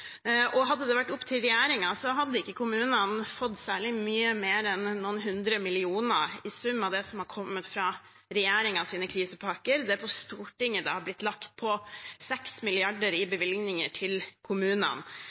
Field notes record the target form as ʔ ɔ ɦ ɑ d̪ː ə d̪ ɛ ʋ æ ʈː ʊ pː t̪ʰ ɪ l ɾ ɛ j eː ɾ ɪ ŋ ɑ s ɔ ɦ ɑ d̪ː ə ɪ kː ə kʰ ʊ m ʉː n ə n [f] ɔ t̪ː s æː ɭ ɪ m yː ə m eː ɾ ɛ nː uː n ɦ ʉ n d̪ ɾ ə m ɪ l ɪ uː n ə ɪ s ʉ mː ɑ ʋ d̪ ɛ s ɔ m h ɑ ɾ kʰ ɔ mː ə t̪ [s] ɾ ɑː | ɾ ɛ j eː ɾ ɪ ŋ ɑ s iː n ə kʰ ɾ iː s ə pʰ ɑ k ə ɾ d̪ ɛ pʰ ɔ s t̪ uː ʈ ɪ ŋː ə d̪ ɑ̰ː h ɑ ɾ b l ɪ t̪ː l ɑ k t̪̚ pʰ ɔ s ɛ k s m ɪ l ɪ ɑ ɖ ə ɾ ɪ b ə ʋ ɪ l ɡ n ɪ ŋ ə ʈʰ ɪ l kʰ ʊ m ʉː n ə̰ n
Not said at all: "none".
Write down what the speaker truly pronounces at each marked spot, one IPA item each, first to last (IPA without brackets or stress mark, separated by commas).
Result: f, f